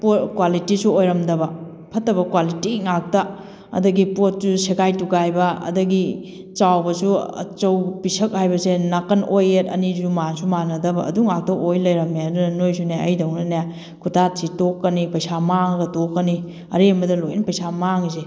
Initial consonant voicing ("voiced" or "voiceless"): voiceless